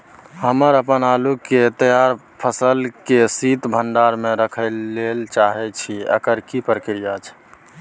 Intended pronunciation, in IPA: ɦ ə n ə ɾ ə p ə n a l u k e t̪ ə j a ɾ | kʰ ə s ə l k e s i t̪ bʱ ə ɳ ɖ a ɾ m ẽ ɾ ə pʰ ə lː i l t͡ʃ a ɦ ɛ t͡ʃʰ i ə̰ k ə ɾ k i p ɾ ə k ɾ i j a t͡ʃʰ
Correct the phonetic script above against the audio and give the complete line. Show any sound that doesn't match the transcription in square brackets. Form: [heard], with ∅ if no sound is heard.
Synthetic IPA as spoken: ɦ ə [m] ə ɾ ə p ə n a l u k e t̪ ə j a ɾ | [pʰ] ə s ə l k e s i t̪ bʱ ə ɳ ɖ a ɾ m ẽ ɾ ə [kʰ] ə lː [e] l t͡ʃ a ɦ ɛ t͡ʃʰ i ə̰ k ə ɾ k i p ɾ ə k ɾ i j a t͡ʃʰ

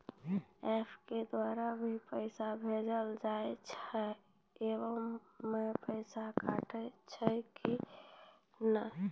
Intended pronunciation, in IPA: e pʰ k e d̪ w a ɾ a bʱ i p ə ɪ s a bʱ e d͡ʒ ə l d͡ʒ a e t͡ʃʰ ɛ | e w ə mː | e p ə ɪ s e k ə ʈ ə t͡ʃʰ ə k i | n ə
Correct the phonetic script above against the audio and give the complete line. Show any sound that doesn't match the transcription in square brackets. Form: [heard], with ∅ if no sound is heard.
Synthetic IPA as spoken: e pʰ k e d̪ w a ɾ a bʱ i p ə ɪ s a bʱ e d͡ʒ ə l d͡ʒ a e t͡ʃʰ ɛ | e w ə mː | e p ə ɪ s [a] k [a] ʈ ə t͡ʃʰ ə k i | n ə

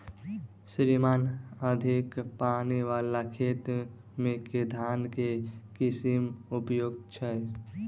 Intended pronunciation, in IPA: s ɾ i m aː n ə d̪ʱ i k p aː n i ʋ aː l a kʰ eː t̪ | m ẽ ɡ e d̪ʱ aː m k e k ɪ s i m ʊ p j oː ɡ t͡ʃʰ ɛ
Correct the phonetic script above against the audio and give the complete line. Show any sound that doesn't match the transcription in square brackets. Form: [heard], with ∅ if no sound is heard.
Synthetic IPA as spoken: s ɾ i m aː n ə d̪ʱ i k p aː n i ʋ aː l a kʰ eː t̪ | m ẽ [k] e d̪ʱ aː [n] k e k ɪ s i m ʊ p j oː ɡ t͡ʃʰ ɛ

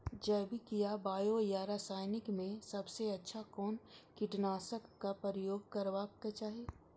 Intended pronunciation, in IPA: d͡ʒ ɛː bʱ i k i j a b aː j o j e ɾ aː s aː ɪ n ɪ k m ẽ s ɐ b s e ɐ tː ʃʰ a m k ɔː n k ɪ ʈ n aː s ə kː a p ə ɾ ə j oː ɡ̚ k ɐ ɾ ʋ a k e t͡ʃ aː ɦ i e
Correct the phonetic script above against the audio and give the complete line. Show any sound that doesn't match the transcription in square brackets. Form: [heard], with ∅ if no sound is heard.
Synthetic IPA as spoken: d͡ʒ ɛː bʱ i k i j a b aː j o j [a] ɾ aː s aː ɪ n ɪ k m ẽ s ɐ b s e ɐ tː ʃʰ a [∅] k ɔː n k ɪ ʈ n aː s ə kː a p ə ɾ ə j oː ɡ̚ k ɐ ɾ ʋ a k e t͡ʃ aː ɦ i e

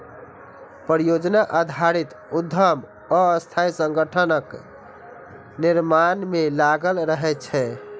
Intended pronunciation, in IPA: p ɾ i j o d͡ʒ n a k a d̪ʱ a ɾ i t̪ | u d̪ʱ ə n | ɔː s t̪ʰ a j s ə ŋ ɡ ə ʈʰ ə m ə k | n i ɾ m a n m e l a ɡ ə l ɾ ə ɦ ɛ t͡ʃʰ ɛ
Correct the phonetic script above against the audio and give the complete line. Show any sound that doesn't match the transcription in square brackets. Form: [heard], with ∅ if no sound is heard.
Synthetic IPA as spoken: p ɾ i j o d͡ʒ n a [ʔ] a d̪ʱ a ɾ i t̪ | u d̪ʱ ə [m] | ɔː s t̪ʰ a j s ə ŋ ɡ ə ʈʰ ə [n] ə k | n i ɾ m a n m e l a ɡ ə l ɾ ə ɦ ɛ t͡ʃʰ ɛ

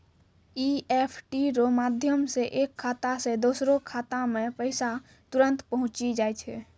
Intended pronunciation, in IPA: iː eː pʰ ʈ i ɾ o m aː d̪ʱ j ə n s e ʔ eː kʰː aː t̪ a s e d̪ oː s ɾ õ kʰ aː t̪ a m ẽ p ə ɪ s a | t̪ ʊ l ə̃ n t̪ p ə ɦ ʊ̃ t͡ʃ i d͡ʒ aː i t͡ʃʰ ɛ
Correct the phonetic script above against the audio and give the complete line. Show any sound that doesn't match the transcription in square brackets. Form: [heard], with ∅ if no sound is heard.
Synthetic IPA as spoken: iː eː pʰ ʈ i ɾ o m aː d̪ʱ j ə [m] s e ʔ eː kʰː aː t̪ a s e d̪ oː s ɾ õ kʰ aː t̪ a m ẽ p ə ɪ s a | t̪ ʊ [ɾ] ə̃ n t̪ p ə ɦ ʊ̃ t͡ʃ i d͡ʒ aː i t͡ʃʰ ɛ

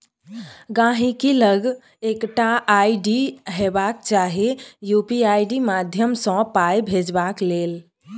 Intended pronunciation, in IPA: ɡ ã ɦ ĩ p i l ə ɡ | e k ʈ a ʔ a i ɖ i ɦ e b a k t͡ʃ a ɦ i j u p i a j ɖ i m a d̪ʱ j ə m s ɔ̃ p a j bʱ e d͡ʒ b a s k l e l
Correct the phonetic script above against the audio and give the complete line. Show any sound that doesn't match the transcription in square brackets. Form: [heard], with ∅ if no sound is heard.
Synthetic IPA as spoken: ɡ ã ɦ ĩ [k] i l ə ɡ | e k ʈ a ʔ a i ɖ i ɦ e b a k t͡ʃ a ɦ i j u p i a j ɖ i m a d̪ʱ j ə m s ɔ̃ p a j bʱ e d͡ʒ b a [∅] k l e l

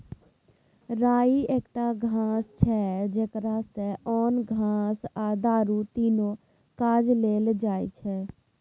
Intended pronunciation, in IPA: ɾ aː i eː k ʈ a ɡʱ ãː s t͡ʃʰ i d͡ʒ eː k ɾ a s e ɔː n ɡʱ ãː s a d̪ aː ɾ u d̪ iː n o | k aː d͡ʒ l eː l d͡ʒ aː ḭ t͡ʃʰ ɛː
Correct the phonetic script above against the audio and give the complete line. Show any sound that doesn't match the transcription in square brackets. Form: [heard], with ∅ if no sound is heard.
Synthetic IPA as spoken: ɾ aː i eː k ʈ a ɡʱ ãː s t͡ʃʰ [ɛ] d͡ʒ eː k ɾ a s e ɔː n ɡʱ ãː s a d̪ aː ɾ u [t̪] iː n o | k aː d͡ʒ l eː l d͡ʒ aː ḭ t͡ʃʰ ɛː

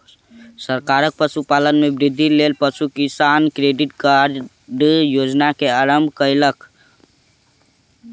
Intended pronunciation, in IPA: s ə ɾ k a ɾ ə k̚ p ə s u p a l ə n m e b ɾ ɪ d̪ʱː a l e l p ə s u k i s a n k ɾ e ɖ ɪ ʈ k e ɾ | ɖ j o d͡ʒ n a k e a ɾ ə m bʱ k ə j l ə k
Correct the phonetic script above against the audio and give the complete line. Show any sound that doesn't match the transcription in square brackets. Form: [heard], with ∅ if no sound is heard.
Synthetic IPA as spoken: s ə ɾ k a ɾ ə k̚ p ə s u p a l ə n m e b ɾ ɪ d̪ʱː [i] l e l p ə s u k i s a n k ɾ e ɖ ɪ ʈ k [a] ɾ | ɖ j o d͡ʒ n a k e a ɾ ə m bʱ k ə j l ə k

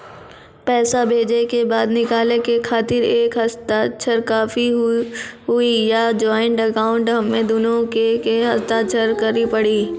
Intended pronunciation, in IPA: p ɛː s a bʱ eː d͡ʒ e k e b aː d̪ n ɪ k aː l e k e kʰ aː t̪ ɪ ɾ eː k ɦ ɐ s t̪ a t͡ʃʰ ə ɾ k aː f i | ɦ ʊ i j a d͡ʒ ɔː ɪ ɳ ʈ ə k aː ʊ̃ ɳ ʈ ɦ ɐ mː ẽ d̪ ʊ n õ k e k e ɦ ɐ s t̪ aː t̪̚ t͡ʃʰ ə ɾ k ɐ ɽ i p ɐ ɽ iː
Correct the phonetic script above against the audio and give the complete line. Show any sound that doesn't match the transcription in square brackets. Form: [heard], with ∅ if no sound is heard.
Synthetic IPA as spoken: p ɛː s a bʱ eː d͡ʒ e k e b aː d̪ n ɪ k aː l e k e kʰ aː t̪ ɪ ɾ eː k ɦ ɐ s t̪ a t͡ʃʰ ə ɾ k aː f i | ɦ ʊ i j a d͡ʒ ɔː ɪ ɳ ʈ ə k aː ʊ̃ ɳ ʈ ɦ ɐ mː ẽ d̪ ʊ n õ k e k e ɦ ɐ s t̪ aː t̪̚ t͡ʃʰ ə ɾ k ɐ [ɾ] i p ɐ ɽ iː

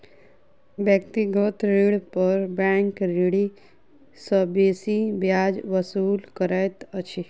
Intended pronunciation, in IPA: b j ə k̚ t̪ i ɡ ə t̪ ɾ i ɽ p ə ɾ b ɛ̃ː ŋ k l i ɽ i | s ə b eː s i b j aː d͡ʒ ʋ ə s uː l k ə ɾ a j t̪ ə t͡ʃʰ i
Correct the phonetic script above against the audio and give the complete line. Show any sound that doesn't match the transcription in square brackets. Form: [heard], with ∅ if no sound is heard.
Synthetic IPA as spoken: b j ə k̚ t̪ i ɡ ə t̪ ɾ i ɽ p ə ɾ b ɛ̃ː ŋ k [ɾ] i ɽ i | s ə b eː s i b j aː d͡ʒ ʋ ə s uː l k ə ɾ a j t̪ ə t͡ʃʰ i

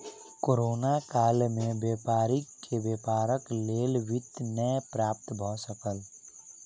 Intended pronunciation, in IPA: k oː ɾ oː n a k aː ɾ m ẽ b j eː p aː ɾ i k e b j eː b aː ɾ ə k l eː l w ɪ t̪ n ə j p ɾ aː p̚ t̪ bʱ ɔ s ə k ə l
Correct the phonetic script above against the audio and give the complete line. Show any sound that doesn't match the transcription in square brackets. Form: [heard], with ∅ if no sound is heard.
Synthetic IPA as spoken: k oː ɾ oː n a k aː [l] m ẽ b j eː p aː ɾ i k e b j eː [p] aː ɾ ə k l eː l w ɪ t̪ n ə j p ɾ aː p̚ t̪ bʱ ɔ s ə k ə l

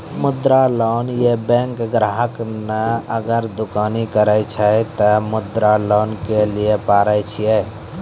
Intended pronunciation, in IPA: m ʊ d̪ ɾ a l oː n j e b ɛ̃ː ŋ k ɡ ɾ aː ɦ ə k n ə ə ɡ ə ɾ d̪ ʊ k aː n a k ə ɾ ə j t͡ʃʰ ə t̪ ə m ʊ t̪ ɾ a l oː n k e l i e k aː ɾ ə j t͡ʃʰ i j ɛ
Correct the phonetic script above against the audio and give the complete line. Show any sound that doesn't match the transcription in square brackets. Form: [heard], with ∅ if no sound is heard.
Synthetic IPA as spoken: m ʊ d̪ ɾ a l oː n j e b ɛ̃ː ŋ k ɡ ɾ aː ɦ ə k n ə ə ɡ ə ɾ d̪ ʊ k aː n [i] k ə ɾ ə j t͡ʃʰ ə t̪ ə m ʊ [d̪] ɾ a l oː n k e l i e [p] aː ɾ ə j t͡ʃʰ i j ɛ

